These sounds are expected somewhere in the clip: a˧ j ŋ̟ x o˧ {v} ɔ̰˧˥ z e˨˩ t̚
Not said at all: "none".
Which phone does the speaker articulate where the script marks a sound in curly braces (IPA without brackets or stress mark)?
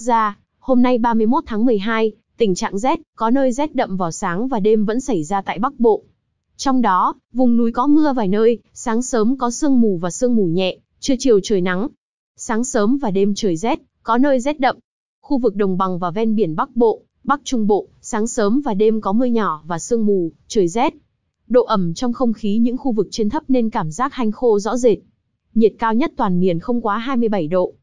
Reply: z